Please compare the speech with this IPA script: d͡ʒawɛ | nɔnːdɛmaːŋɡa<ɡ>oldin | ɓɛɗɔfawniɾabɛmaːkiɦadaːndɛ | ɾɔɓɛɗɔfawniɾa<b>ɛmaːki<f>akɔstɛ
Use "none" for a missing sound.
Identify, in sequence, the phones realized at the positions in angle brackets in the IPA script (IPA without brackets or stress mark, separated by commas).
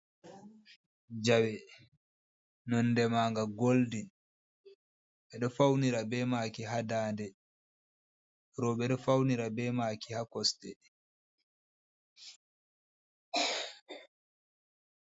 ɡ, b, h